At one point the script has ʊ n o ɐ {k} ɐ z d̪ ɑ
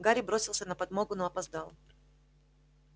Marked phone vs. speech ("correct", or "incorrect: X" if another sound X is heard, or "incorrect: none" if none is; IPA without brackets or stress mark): incorrect: p